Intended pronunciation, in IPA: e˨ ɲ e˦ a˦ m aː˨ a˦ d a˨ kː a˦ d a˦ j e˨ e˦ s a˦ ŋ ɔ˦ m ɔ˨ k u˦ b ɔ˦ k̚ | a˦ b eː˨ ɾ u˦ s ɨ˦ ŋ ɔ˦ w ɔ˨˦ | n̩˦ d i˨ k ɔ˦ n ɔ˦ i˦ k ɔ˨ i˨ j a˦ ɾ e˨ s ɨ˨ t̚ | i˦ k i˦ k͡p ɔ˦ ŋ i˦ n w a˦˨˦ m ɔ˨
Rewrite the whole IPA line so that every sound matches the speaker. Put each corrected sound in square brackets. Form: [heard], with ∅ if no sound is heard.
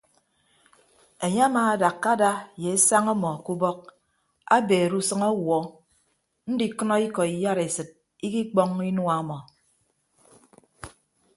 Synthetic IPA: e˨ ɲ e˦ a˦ m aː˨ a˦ d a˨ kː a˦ d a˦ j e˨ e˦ s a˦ ŋ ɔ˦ m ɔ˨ k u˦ b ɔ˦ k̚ | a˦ b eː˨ ɾ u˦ s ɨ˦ ŋ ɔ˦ w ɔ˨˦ | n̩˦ d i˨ k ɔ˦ n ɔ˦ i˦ k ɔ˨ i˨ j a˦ ɾ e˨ s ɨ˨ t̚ | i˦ k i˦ k͡p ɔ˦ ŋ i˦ n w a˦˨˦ m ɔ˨

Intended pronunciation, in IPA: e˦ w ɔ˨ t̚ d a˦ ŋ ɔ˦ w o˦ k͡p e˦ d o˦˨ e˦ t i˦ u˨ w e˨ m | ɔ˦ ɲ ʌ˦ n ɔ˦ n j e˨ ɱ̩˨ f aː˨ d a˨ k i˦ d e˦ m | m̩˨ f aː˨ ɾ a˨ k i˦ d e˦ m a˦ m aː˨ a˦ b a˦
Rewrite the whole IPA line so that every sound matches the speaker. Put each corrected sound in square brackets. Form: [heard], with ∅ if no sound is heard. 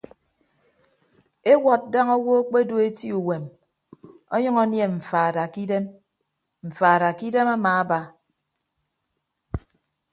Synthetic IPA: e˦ w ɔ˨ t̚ d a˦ ŋ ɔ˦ w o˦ k͡p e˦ d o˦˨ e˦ t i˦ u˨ w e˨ m | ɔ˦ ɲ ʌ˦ [ŋ] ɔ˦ n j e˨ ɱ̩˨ f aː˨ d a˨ k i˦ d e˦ m | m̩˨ f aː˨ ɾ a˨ k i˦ d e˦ m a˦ m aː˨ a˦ b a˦

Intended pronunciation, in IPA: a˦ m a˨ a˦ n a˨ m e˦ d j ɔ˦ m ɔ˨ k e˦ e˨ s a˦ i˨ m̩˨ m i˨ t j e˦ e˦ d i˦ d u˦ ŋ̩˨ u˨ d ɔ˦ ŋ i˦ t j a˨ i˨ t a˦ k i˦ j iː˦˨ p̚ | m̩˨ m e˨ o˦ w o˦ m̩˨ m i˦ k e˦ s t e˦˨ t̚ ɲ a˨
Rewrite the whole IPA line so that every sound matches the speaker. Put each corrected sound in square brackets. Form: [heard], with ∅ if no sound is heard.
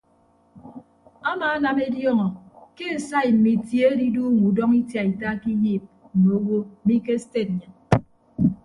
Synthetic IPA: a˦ m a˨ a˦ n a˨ m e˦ d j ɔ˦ [ŋ] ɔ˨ k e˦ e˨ s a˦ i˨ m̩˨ m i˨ t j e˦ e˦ d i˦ d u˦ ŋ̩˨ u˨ d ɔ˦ ŋ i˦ t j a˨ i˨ t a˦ k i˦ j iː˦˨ p̚ | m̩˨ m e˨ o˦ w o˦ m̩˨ m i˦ k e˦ s t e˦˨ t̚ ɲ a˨

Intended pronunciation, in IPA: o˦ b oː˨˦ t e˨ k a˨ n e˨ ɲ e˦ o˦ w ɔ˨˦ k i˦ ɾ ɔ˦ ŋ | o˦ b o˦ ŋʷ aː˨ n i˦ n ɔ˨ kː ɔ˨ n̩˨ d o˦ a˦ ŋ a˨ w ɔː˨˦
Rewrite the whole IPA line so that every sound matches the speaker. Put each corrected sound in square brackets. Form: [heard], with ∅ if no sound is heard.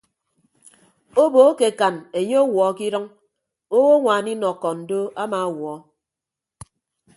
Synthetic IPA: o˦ b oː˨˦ [k] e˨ k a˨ n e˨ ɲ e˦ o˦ w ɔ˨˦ k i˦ ɾ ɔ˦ ŋ | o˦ [w] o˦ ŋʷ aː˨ n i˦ n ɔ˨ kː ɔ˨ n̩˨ d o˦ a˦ [m] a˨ w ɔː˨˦

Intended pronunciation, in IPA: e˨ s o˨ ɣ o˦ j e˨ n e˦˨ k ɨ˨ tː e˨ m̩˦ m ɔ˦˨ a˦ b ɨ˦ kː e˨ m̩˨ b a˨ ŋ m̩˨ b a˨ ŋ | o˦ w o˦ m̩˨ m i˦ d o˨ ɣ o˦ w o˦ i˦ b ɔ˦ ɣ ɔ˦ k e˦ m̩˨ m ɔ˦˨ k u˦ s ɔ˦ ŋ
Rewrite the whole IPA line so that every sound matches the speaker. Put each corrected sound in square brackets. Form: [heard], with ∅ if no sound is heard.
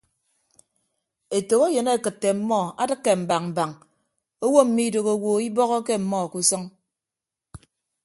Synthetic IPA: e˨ [t] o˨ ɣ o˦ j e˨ n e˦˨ k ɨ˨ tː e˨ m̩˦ m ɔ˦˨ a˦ [d] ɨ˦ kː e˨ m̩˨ b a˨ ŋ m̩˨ b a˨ ŋ | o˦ w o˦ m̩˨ m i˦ d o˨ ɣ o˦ w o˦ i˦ b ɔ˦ ɣ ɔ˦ k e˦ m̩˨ m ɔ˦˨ k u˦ s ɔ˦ ŋ

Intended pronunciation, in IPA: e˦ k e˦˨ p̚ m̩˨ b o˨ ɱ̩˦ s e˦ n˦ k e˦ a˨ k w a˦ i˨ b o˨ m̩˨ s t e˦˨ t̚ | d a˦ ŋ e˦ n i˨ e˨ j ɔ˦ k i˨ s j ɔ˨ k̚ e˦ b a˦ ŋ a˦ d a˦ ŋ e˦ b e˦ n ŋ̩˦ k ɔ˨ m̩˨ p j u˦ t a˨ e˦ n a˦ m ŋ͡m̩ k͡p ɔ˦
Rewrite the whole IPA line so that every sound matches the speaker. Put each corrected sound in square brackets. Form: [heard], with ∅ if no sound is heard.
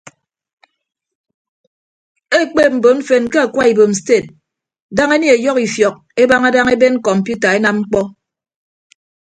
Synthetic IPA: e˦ [k͡p] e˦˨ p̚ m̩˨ b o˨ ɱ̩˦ [f] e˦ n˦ k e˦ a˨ k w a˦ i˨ b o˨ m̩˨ s t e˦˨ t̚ | d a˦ ŋ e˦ n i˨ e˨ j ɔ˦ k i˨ [f] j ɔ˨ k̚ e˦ b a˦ ŋ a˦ d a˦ ŋ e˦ b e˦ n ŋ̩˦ k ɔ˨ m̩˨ p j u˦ t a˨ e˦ n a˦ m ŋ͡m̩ k͡p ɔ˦

